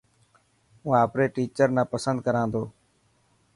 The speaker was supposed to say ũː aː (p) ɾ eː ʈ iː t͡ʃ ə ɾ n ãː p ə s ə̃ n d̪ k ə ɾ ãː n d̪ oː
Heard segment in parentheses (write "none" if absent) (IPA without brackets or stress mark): p